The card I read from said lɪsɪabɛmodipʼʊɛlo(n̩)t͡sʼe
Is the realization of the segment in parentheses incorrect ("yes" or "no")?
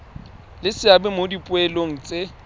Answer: yes